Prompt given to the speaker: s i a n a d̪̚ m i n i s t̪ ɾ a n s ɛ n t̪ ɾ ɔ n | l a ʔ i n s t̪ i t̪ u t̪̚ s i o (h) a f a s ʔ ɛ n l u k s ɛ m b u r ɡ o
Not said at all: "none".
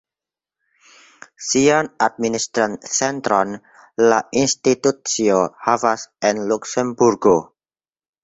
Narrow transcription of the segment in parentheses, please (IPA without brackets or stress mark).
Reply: h